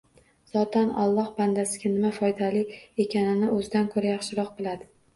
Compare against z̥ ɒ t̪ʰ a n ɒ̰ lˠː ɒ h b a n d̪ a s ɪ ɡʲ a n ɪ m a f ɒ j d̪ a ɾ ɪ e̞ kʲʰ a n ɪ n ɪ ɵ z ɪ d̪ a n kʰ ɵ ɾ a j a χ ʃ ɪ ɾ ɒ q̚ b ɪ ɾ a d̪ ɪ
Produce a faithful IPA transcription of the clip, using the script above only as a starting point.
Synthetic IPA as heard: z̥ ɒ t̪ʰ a n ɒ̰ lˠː ɒ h b a n d̪ a s ɪ ɡʲ a n ɪ m a f ɒ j d̪ a l ɪ e̞ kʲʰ a n ɪ n ɪ ɵ z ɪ d̪ a n kʰ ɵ ɾ a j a χ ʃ ɪ ɾ ɒ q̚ b ɪ l a d̪ ɪ